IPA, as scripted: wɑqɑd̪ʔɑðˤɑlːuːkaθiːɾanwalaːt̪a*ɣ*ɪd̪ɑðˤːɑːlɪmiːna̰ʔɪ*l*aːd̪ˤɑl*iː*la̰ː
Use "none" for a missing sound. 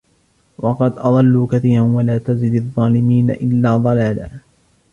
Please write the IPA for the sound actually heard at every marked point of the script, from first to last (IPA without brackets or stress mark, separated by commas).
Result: z, lː, aː